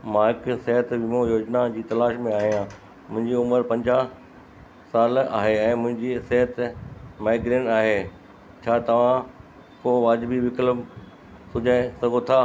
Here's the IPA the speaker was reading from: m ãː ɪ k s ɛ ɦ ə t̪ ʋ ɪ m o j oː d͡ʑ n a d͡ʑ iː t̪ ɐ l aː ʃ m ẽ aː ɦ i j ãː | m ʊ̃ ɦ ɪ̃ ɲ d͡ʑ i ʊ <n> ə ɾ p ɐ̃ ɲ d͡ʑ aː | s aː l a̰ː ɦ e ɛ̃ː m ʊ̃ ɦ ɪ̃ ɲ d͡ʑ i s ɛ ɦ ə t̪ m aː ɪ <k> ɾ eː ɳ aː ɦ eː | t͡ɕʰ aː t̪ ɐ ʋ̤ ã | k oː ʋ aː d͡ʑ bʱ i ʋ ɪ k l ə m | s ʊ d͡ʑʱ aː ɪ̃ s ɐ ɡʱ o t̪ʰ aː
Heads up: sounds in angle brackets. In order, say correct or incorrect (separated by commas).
incorrect, incorrect